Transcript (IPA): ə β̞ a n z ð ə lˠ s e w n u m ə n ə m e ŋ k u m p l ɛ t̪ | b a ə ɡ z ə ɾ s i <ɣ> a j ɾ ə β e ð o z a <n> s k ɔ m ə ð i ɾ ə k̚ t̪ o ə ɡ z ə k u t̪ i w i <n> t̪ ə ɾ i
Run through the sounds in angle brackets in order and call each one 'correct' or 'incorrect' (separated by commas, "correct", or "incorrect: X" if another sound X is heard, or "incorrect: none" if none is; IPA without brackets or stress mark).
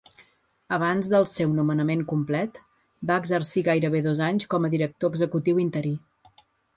correct, incorrect: ɲ, correct